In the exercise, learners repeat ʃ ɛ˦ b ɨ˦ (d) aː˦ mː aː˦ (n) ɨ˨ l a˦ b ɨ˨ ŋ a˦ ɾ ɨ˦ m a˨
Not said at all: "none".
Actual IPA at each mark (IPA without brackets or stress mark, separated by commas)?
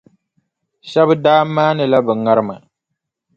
d, n